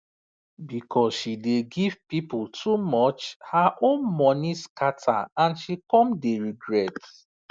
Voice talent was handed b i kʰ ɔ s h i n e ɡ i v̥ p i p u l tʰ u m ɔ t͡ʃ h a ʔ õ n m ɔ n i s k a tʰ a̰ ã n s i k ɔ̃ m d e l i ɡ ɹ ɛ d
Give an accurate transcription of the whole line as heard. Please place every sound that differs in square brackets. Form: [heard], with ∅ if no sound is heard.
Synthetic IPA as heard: b i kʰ ɔ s [ʃ] i [d] e ɡ i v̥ p i p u l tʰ u m ɔ t͡ʃ h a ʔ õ n m ɔ n i s k a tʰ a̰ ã n [ʃ] i k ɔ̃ m d e [ɹ] i ɡ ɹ ɛ [t]